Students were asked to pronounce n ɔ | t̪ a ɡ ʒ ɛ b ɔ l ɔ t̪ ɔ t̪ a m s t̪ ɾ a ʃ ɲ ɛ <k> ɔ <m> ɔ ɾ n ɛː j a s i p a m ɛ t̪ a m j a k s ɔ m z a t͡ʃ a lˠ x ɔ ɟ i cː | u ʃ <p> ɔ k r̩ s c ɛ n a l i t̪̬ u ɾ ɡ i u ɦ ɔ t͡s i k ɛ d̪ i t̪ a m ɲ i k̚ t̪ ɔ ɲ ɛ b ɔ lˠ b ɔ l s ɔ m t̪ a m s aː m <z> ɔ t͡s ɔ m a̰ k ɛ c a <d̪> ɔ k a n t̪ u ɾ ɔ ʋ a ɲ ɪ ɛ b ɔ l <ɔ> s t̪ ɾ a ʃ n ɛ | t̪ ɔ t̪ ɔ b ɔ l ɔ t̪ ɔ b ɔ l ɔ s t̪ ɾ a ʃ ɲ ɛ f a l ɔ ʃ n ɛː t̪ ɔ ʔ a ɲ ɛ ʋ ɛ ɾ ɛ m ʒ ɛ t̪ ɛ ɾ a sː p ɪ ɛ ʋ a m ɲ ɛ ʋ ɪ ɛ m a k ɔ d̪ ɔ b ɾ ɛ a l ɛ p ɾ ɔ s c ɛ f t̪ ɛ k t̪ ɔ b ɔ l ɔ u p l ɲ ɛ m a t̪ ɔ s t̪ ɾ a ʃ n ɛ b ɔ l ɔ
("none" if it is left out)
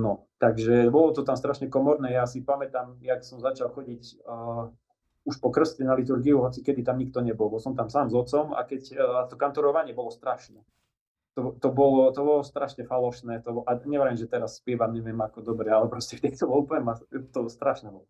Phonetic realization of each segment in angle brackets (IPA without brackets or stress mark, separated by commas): k, m, p, z, t̪, ɔ